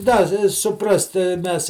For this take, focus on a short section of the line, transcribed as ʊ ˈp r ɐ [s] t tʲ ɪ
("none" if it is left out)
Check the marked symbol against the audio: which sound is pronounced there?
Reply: s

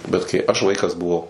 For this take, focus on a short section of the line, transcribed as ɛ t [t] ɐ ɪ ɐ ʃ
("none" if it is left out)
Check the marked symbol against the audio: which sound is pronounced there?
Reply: k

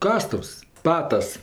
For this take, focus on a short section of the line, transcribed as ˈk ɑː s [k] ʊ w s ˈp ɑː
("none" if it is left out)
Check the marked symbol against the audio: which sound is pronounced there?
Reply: t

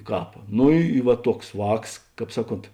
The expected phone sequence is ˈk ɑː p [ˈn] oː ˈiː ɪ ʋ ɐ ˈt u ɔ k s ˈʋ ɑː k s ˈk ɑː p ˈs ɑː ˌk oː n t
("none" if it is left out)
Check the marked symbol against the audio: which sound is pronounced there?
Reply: n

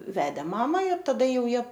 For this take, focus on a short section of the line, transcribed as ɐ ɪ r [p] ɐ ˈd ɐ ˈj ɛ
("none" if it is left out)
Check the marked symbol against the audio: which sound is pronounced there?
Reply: t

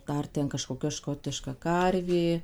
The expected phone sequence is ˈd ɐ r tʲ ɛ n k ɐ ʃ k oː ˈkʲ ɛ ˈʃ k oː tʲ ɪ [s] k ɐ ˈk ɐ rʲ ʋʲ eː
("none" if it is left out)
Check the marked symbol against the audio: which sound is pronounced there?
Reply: ʃ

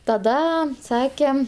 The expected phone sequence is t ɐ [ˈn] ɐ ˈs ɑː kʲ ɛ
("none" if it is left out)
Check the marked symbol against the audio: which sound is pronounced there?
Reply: d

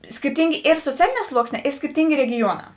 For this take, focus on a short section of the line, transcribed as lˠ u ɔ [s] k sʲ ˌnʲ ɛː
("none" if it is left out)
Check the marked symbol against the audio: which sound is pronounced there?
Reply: none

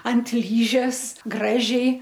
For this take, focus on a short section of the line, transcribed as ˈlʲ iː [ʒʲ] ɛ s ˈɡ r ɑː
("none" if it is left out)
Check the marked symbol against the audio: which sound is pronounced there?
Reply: ʒʲ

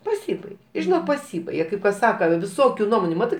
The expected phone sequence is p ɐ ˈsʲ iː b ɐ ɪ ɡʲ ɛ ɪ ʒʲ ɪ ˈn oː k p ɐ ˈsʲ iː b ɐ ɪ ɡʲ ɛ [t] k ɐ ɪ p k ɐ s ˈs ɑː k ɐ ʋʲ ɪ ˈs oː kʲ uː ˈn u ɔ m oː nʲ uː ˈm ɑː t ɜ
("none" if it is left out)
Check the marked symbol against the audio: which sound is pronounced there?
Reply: none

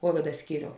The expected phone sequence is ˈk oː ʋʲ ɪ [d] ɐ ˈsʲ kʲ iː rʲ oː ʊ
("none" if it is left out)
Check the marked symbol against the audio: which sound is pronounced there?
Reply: d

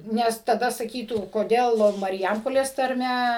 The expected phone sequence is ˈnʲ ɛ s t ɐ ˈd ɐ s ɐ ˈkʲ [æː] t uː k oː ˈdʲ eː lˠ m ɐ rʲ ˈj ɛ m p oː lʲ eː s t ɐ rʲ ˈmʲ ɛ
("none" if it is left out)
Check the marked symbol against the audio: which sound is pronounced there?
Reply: iː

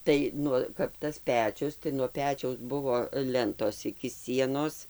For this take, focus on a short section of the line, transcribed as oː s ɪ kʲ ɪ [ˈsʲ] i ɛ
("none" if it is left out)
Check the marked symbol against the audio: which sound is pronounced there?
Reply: sʲ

